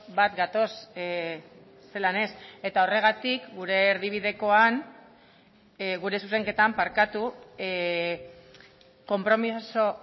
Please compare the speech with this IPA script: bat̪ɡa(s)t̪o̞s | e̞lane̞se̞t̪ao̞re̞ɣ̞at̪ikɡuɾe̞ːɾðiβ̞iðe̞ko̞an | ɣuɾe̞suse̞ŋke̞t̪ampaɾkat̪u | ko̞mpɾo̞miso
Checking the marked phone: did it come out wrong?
yes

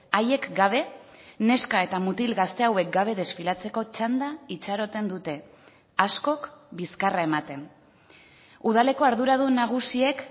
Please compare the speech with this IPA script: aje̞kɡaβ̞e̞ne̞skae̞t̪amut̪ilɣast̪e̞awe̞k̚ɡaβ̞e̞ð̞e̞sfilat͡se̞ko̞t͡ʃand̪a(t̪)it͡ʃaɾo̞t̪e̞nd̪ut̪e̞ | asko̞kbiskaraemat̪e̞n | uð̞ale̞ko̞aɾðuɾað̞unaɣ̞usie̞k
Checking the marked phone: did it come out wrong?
yes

